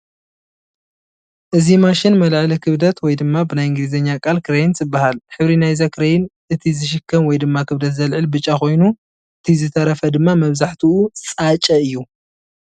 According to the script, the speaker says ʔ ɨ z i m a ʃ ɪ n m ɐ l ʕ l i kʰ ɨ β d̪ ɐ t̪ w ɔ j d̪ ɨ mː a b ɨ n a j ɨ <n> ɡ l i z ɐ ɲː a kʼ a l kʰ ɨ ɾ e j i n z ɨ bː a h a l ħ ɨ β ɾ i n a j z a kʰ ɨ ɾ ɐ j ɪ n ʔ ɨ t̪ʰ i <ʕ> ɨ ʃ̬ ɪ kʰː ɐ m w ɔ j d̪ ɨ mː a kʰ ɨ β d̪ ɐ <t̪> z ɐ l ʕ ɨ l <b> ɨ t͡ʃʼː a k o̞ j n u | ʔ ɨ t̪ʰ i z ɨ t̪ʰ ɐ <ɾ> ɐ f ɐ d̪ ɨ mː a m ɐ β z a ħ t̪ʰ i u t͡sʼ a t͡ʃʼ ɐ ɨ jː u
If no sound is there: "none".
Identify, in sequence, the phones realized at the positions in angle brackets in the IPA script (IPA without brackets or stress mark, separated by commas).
ŋ, z, t̪, b, ɾ